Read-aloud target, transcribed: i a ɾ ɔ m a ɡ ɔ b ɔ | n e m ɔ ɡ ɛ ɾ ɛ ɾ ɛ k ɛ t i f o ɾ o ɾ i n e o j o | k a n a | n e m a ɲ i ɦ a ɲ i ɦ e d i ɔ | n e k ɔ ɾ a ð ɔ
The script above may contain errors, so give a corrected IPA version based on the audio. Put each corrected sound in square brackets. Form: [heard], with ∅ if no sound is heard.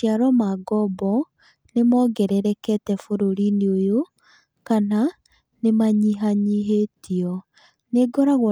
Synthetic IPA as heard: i a ɾ ɔ m a ɡ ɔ b ɔ | n e m ɔ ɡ ɛ ɾ ɛ ɾ ɛ k ɛ t [ɛ] f o ɾ o ɾ i n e o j o | k a n a | n e m a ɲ i ɦ a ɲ i ɦ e [t] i ɔ | n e [ɡ] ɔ ɾ a [ɣ] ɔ

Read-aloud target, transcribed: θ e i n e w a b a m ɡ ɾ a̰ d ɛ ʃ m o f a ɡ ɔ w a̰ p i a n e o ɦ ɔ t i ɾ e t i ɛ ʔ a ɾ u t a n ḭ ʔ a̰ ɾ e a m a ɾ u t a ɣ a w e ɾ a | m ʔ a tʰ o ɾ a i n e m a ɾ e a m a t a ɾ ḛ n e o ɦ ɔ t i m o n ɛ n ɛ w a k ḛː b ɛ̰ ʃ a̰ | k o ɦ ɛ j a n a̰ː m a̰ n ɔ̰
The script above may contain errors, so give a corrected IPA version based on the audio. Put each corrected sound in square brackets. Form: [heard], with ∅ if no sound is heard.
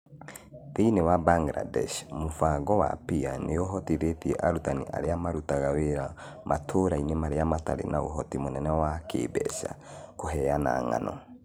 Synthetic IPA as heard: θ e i n e w a b a [ŋ] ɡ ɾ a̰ d ɛ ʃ m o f a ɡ ɔ w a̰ p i a n e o ɦ ɔ t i ɾ e t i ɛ ʔ a ɾ u t a n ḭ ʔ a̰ ɾ e a m a ɾ u t a ɣ a w e ɾ a | m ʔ a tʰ o ɾ a i n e m a ɾ e a m a t a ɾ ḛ n [a] o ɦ ɔ t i m o n ɛ n ɛ w a k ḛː b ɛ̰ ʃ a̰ | k o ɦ ɛ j a n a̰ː [ŋ] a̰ n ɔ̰

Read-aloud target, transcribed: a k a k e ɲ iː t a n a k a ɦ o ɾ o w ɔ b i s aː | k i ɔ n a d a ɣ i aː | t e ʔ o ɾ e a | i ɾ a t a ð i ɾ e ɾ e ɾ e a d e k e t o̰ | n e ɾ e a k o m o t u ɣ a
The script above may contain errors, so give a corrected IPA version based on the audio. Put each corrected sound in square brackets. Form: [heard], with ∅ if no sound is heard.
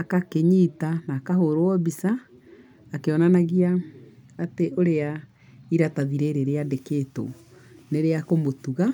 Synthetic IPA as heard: a k a k e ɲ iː t a n a k a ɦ o ɾ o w ɔ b i s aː | k [e] ɔ n a [n] a ɣ i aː | t e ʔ o ɾ e a | i ɾ a t a ð i ɾ e ɾ e ɾ e a d e k e t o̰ | n e ɾ e a k o m o t u ɣ a

